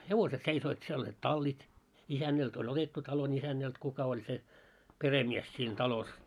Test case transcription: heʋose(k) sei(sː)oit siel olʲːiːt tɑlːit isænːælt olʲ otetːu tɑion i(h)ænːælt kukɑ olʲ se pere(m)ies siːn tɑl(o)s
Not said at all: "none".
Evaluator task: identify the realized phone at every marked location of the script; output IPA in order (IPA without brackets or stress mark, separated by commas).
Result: t, s, s, m, o